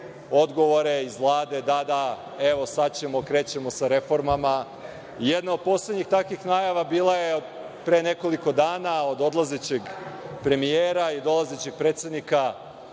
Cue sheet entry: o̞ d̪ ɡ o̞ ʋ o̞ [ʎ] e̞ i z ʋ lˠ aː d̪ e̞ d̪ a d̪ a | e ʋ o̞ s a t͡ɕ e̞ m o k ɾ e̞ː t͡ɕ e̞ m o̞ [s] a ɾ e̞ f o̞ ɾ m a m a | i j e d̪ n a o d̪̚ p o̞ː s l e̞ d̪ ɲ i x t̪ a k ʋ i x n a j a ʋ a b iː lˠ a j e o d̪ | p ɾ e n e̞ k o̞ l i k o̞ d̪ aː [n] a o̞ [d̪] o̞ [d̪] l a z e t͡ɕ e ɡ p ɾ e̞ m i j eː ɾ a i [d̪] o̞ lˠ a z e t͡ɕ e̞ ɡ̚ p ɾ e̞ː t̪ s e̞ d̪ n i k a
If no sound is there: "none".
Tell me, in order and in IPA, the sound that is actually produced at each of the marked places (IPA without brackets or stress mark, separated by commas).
ɾ, s, n, d̪, d̪, d̪